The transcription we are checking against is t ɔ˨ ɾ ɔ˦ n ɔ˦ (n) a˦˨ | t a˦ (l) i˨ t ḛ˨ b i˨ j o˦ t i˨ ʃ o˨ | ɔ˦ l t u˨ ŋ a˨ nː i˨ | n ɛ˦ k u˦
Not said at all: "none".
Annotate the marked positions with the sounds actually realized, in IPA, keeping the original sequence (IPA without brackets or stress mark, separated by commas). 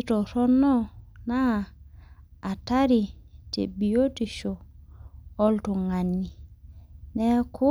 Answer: n, ɾ